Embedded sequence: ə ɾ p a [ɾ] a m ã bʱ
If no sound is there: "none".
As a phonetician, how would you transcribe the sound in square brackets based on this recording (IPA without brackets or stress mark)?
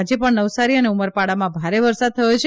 ɽ